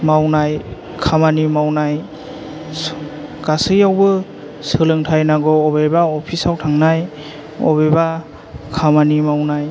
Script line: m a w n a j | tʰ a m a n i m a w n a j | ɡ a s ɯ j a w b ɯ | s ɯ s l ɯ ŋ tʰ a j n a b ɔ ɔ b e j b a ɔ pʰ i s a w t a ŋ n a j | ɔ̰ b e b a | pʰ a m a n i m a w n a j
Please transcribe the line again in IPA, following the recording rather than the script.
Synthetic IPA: m a w n a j | kʰ a m a n i m a w n a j | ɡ a s ɯ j a w b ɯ | s ɯ l ɯ ŋ tʰ a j n a ɡ ɔ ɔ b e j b a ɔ pʰ i s a w tʰ a ŋ n a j | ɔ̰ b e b a | kʰ a m a n i m a w n a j